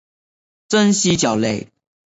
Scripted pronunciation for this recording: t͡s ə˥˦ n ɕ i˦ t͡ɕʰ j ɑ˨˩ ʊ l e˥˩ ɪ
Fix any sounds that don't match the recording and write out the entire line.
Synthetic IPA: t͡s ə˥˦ n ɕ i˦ t͡ɕ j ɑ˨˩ ʊ l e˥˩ ɪ